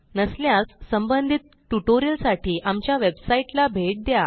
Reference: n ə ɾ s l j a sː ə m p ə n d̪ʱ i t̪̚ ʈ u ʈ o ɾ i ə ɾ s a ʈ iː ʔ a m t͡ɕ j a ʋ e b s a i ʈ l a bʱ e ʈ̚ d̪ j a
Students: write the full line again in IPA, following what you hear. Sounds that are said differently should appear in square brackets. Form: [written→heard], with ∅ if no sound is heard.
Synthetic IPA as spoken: n ə [ɾ→∅] s l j a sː ə m [p→b] ə n d̪ʱ i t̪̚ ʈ u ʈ o ɾ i ə [ɾ→l] s a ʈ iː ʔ a m t͡ɕ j a ʋ e b s a i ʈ l a bʱ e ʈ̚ d̪ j a

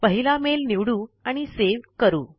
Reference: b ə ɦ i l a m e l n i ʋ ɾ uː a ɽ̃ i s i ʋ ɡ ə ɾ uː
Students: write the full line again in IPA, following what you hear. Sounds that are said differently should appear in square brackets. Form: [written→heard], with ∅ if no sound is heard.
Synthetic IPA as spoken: [b→p] ə ɦ i l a m e l n i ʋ [ɾ→ɽ] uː a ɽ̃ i s [i→e] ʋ [ɡ→k] ə ɾ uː

